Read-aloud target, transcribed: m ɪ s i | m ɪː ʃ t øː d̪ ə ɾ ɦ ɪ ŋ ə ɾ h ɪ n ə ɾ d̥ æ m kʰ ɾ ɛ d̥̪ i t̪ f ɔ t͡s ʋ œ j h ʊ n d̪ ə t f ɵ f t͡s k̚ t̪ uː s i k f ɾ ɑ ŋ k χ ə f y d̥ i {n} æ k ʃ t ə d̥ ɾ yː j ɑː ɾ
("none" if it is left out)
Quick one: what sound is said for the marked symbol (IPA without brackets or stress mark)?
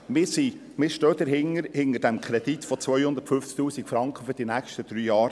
n